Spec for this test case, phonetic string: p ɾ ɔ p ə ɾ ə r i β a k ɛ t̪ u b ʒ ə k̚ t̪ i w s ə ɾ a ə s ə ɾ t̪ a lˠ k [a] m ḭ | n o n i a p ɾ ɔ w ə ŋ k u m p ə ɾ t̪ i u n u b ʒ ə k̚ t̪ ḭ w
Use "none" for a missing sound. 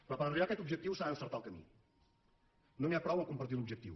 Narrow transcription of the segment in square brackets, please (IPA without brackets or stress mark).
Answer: ə